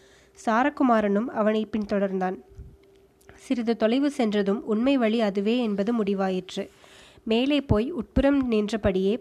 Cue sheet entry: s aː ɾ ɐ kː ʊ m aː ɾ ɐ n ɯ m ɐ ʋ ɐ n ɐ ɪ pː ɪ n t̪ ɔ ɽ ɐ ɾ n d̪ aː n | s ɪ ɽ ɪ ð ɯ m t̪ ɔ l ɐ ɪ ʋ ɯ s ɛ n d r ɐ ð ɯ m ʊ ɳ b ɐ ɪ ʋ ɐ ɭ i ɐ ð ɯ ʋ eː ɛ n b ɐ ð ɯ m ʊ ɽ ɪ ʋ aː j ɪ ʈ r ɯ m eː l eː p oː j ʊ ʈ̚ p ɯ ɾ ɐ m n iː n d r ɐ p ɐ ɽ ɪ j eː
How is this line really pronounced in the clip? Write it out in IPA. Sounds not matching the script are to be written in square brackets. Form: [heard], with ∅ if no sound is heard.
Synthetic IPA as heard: s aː ɾ ɐ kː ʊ m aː ɾ ɐ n ɯ m ɐ ʋ ɐ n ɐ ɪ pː ɪ n t̪ ɔ ɽ ɐ ɾ n d̪ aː n | s ɪ [ɾ] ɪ ð ɯ [∅] t̪ ɔ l ɐ ɪ ʋ ɯ s ɛ n d r ɐ ð ɯ m ʊ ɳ [m] ɐ ɪ ʋ ɐ ɭ i ɐ ð ɯ ʋ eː ɛ n b ɐ ð ɯ m ʊ ɽ ɪ ʋ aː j ɪ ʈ r ɯ m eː l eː p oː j ʊ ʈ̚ p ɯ ɾ ɐ m n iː n d r ɐ p ɐ ɽ ɪ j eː